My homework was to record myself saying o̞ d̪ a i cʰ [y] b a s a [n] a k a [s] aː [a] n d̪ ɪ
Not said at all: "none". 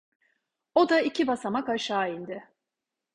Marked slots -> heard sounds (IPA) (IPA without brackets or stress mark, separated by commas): i, m, ʃ, i